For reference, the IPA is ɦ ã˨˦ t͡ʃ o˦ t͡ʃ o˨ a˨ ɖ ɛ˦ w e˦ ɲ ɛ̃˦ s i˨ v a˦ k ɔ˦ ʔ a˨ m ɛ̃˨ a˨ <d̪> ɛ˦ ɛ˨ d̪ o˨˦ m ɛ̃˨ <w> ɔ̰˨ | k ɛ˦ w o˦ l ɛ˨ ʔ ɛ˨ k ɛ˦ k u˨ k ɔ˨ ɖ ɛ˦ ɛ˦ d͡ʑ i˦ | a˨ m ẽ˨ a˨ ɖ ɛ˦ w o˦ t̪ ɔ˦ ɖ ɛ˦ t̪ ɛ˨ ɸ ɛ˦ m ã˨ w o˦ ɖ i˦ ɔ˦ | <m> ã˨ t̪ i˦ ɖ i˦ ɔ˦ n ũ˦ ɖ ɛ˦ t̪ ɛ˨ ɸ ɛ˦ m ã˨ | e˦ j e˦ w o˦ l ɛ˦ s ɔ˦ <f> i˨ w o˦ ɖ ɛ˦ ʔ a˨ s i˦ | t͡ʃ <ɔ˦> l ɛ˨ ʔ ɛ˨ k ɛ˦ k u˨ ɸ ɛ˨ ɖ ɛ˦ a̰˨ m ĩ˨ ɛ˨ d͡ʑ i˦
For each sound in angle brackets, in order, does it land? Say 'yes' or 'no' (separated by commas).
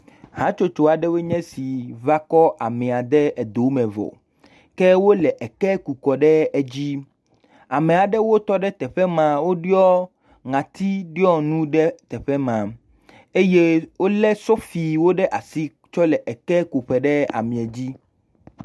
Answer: yes, no, no, yes, yes